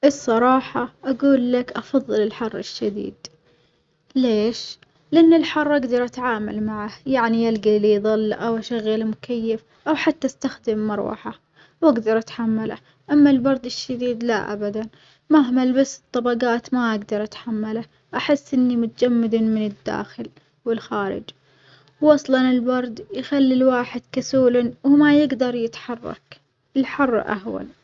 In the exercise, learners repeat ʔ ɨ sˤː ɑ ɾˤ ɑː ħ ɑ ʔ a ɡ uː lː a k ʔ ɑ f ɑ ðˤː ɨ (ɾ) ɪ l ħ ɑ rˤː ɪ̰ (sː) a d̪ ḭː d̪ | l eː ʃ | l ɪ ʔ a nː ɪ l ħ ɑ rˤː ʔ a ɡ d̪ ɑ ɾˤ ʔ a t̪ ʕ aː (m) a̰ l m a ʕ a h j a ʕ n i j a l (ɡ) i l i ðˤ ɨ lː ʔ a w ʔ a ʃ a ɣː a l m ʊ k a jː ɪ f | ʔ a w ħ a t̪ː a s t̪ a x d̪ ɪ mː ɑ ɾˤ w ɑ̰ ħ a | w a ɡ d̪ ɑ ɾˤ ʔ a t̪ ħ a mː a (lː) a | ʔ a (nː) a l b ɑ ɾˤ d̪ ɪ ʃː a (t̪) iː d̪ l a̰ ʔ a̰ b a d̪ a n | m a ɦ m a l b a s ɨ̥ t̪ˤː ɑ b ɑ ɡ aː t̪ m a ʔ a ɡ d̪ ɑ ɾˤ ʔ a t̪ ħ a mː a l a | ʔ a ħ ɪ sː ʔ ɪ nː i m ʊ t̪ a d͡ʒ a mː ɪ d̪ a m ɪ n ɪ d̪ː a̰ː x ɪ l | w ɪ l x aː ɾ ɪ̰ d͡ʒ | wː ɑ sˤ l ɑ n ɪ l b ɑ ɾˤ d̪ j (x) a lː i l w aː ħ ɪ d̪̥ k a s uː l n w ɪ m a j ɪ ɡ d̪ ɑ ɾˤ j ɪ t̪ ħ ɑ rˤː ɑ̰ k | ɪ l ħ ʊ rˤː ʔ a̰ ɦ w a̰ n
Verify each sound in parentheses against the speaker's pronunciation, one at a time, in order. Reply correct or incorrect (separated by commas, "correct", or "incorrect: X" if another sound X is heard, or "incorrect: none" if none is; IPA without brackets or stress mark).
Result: incorrect: l, incorrect: ʃː, correct, correct, incorrect: l, incorrect: mː, incorrect: d̪, correct